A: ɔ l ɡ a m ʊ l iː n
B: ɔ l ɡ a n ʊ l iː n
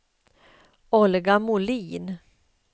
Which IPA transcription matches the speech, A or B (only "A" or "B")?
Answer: A